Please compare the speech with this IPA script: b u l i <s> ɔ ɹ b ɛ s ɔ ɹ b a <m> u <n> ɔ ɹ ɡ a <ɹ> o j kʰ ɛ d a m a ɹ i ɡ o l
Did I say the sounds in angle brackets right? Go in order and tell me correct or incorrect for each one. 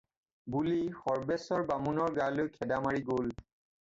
incorrect: x, correct, correct, incorrect: l

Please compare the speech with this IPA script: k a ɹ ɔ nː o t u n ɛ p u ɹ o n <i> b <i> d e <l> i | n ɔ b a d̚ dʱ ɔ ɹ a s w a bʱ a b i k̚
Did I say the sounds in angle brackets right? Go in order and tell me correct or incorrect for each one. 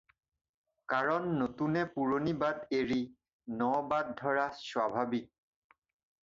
correct, incorrect: a, incorrect: ɹ

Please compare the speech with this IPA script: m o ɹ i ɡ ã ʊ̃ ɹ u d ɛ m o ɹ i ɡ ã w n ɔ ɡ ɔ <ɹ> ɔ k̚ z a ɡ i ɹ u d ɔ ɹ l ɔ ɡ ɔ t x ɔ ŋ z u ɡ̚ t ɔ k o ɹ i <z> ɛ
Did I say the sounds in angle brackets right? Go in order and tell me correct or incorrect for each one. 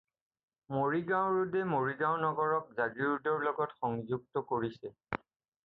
correct, incorrect: s

